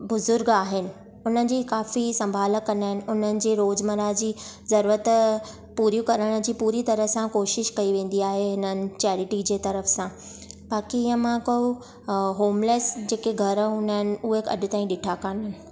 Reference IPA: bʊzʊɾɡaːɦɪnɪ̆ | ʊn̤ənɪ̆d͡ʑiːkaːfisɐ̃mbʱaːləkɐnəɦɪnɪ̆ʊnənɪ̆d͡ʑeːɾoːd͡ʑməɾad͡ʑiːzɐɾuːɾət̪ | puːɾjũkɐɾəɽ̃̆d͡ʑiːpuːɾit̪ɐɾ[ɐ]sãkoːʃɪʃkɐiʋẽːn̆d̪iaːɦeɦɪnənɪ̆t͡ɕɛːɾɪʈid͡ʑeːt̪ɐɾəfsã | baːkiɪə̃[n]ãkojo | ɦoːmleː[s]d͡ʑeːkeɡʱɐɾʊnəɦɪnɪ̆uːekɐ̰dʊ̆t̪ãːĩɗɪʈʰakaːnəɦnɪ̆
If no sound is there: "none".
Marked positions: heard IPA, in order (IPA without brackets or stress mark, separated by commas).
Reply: ə, m, s